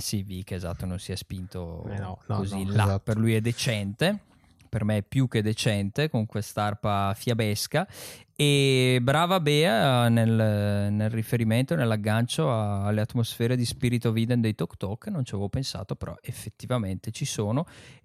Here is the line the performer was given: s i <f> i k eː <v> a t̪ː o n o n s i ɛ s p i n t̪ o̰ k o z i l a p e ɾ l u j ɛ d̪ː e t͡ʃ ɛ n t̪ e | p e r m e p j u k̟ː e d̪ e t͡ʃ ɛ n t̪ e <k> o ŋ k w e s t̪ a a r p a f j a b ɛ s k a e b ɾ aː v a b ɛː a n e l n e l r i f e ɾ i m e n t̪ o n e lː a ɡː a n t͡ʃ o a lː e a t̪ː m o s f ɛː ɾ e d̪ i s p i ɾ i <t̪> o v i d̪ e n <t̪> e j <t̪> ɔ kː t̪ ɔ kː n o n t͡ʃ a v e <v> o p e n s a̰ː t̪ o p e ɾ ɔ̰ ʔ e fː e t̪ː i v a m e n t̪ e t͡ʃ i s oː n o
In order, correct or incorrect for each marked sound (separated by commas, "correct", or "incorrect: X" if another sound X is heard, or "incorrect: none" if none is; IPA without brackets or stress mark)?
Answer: incorrect: v, incorrect: z, correct, correct, incorrect: d̪, correct, correct